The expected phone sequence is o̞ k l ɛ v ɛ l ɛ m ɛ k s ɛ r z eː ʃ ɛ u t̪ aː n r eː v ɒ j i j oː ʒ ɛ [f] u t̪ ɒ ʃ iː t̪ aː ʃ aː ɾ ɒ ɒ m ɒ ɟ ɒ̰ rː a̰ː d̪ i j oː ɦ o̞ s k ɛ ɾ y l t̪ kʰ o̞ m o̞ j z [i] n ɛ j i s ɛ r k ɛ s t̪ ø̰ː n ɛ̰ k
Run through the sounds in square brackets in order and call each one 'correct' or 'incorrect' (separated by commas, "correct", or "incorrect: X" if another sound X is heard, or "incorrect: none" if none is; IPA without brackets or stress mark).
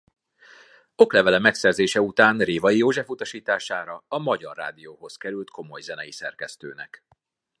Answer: correct, incorrect: ɛ